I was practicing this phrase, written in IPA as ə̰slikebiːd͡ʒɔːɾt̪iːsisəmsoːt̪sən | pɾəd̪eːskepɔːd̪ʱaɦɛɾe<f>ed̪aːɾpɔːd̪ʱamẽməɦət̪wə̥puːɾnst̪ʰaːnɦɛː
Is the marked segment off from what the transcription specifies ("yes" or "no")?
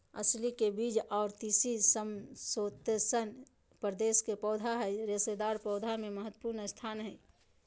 yes